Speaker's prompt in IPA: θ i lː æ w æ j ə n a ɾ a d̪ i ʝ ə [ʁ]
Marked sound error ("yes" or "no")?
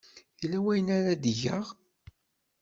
no